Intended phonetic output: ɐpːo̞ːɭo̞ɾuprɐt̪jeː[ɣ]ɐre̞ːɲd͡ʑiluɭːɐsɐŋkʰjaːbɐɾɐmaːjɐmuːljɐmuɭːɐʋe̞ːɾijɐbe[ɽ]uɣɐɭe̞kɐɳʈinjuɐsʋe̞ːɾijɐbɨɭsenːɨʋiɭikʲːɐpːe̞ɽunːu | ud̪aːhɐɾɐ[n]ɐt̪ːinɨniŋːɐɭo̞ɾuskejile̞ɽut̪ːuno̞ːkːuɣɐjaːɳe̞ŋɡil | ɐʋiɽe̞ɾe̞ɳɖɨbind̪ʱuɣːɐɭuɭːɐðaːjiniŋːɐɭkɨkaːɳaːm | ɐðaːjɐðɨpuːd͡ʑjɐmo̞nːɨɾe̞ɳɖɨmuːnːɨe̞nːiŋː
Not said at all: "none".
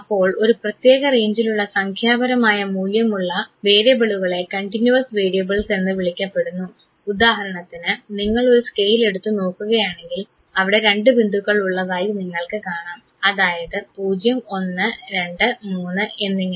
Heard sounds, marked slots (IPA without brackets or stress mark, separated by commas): ɣ, ɭ, ɳ